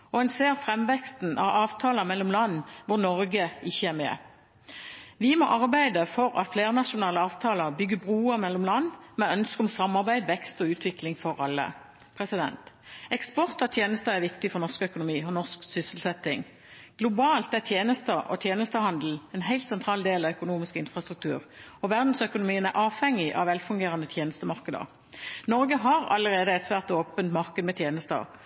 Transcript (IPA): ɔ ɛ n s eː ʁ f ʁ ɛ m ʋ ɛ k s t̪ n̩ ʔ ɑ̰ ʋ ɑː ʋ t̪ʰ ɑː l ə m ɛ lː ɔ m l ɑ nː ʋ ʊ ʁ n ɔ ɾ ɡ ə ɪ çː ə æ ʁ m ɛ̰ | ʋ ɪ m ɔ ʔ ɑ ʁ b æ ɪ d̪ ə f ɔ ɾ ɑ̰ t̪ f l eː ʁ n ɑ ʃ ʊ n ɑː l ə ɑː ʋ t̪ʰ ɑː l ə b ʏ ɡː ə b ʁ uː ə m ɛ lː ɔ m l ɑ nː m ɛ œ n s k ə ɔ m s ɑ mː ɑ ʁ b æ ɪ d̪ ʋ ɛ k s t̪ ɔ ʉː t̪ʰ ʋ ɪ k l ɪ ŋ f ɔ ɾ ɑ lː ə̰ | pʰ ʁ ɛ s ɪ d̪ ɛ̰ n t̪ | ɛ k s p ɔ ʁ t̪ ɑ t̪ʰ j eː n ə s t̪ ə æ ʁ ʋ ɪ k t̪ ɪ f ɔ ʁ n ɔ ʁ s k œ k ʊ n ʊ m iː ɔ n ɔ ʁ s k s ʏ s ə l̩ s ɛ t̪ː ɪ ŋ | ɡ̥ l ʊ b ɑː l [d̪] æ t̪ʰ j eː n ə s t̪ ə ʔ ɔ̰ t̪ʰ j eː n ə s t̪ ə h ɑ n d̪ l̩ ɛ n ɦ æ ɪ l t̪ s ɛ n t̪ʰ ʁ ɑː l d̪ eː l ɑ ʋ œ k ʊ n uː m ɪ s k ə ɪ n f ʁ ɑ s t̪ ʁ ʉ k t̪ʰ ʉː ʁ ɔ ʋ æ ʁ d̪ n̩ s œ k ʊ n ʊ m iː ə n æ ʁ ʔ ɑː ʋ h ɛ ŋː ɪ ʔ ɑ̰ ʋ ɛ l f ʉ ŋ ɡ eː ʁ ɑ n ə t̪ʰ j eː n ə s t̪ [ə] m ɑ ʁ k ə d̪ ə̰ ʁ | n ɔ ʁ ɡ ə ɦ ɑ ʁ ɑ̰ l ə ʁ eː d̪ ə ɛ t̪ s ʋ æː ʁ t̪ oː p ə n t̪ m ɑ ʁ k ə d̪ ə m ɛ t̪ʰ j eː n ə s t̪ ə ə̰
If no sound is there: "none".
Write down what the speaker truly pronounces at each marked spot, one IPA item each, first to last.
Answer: t̪, ə

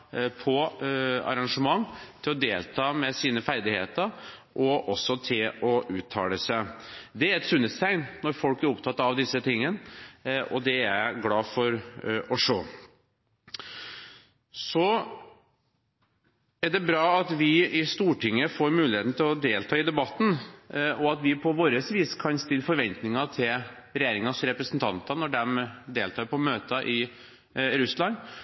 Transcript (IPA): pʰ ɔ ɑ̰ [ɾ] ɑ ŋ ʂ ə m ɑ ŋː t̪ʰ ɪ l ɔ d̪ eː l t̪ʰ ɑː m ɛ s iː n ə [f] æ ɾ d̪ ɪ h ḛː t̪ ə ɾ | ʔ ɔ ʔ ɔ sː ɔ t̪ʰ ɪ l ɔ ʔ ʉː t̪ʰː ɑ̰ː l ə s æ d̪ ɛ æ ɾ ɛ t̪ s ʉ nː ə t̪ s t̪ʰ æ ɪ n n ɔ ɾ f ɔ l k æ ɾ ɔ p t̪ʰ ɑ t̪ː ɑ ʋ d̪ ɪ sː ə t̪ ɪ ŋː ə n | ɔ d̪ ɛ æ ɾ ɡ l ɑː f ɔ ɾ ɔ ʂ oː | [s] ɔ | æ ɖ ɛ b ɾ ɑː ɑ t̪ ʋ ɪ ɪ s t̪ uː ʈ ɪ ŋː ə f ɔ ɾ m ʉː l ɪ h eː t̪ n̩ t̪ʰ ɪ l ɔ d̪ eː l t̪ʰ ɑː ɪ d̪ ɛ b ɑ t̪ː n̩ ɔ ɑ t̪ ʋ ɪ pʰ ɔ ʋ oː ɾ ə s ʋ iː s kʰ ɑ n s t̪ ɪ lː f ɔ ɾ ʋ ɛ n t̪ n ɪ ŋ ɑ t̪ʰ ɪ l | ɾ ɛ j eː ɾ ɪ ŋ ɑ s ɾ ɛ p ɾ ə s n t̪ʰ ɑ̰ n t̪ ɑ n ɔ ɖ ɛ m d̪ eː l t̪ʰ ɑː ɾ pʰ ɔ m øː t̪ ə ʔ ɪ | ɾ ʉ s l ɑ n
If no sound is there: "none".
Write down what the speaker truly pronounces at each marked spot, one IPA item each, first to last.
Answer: ɾ, f, s

